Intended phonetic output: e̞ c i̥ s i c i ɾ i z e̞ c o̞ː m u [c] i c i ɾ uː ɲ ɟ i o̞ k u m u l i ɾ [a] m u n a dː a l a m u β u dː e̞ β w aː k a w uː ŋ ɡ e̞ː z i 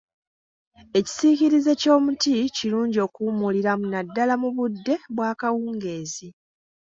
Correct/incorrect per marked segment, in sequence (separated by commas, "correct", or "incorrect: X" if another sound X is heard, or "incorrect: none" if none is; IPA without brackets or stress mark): incorrect: t, correct